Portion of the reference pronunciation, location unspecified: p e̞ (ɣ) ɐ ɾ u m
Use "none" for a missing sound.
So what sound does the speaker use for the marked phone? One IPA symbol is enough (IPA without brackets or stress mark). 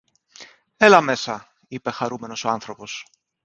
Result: x